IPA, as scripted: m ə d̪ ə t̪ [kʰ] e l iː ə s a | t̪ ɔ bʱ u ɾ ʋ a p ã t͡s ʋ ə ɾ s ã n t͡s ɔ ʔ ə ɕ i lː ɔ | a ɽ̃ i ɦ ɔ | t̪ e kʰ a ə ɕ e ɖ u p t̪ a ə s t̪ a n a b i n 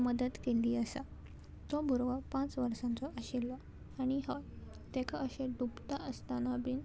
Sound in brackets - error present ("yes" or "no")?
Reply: yes